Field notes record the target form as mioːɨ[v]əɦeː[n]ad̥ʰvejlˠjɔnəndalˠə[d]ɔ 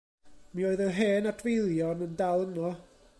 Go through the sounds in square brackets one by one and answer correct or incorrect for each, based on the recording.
incorrect, correct, incorrect

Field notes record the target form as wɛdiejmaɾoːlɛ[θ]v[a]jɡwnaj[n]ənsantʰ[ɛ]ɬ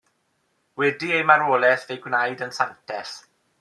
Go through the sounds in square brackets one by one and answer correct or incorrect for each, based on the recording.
correct, incorrect, incorrect, correct

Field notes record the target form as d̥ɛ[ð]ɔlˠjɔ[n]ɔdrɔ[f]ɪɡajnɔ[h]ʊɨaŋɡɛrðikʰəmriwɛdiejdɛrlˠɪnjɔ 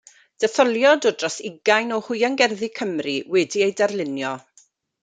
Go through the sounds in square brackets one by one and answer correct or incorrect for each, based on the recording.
incorrect, incorrect, incorrect, correct

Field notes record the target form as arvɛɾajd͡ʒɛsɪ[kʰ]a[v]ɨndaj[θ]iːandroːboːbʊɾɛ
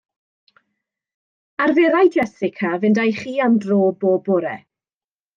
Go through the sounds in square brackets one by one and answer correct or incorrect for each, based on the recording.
correct, correct, incorrect

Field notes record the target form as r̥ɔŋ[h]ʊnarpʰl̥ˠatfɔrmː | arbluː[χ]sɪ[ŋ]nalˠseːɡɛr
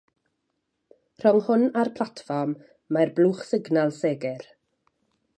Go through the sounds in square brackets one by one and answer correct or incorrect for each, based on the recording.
correct, correct, incorrect

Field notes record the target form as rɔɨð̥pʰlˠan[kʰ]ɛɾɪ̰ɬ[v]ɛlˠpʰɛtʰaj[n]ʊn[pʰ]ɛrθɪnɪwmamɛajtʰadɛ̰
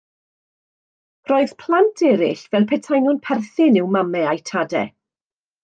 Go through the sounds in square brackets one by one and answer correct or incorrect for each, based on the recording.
incorrect, correct, correct, correct

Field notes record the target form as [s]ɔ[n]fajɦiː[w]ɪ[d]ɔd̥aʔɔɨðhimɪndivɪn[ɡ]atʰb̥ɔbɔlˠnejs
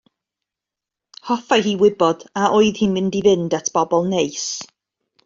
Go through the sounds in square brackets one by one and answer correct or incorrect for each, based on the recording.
incorrect, incorrect, correct, incorrect, incorrect

